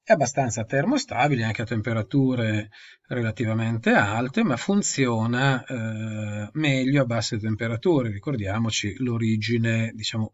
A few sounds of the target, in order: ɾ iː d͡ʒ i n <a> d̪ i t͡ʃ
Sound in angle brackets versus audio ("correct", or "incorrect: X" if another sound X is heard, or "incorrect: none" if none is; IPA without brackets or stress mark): incorrect: e